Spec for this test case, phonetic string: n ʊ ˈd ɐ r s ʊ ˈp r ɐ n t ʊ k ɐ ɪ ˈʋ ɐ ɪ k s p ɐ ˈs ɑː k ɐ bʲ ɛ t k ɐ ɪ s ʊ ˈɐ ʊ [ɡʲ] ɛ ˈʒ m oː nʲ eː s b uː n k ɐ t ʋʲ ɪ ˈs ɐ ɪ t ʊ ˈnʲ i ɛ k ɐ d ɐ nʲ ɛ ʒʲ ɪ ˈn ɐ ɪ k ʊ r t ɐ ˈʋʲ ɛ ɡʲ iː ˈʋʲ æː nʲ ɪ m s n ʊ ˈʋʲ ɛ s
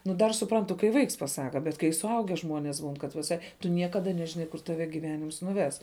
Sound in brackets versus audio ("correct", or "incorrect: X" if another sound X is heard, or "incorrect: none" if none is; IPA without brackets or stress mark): correct